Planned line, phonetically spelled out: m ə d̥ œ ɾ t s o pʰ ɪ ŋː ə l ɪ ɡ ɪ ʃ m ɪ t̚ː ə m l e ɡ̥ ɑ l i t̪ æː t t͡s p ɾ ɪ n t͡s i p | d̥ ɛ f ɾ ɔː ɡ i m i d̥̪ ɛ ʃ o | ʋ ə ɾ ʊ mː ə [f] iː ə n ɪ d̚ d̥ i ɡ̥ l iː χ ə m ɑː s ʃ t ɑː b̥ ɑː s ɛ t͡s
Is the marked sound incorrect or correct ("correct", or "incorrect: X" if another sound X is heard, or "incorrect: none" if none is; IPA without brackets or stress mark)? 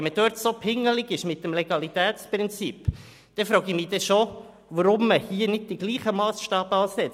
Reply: incorrect: h